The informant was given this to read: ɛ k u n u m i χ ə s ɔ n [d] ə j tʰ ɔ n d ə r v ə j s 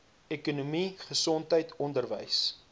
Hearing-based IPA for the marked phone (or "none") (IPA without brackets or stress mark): t